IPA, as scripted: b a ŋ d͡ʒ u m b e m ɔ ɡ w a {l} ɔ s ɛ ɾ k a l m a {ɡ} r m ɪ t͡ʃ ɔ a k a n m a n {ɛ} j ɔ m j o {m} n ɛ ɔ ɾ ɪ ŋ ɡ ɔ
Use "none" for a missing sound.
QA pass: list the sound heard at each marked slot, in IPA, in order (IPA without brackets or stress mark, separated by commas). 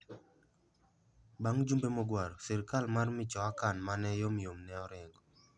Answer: ɾ, none, ɛ, m